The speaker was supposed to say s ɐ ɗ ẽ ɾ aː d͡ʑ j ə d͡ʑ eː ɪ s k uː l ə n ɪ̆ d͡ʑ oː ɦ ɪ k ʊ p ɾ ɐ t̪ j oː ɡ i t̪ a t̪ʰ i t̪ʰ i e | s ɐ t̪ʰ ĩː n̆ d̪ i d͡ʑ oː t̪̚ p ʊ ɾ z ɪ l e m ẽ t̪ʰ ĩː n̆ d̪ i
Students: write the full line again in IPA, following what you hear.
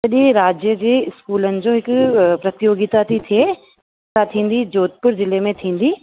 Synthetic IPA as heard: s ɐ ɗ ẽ ɾ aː d͡ʑ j ə d͡ʑ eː ɪ s k uː l ə n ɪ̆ d͡ʑ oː ɦ ɪ k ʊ p ɾ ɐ t̪ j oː ɡ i t̪ a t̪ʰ i t̪ʰ i e | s a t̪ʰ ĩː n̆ d̪ i d͡ʑ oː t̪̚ p ʊ ɾ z ɪ l e m ẽ t̪ʰ ĩː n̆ d̪ i